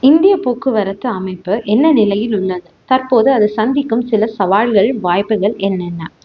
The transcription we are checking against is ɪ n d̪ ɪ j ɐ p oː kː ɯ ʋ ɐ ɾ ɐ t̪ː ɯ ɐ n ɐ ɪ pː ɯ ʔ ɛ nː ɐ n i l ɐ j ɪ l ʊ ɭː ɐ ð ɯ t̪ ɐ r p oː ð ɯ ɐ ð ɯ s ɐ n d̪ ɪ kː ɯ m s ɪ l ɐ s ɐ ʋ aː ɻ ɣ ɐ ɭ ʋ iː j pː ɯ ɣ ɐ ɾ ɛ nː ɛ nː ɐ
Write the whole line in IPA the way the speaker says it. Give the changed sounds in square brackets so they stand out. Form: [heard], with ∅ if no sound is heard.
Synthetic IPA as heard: ɪ n d̪ ɪ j ɐ p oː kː ɯ ʋ ɐ ɾ ɐ t̪ː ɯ ɐ [m] ɐ ɪ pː ɯ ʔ ɛ nː ɐ n [ɪ] l ɐ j ɪ l ʊ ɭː ɐ ð ɯ t̪ ɐ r p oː ð ɯ ɐ ð ɯ s ɐ n d̪ ɪ kː ɯ m s ɪ l ɐ s ɐ ʋ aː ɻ ɣ ɐ ɭ ʋ [aː] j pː ɯ ɣ ɐ [ɭ] ɛ nː ɛ nː ɐ